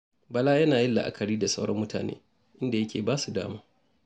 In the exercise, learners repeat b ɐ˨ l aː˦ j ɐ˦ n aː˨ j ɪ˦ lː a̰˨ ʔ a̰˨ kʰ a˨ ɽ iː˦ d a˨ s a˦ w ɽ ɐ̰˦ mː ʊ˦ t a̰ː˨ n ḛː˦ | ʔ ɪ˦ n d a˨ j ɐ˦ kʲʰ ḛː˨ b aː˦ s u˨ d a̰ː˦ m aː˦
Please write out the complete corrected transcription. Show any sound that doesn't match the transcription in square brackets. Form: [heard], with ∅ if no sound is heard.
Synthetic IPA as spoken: b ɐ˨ l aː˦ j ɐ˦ n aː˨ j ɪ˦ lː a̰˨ ʔ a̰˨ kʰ [ɐ˨] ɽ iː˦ d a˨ s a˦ w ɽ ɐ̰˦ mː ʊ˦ t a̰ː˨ n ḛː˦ | ʔ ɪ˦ n d a˨ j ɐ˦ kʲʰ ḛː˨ b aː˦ s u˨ d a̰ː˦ m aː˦